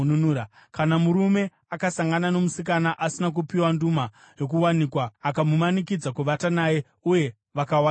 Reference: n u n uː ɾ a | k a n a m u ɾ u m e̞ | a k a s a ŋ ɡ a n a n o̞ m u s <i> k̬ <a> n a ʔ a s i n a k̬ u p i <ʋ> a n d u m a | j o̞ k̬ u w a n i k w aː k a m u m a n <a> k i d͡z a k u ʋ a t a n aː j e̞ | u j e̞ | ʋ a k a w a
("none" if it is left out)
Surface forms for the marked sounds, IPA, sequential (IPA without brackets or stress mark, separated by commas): i, a, w, i